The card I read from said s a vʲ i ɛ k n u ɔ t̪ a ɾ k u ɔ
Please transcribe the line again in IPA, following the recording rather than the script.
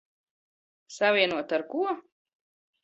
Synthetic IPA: s a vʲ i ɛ n u ɔ t̪ a ɾ k u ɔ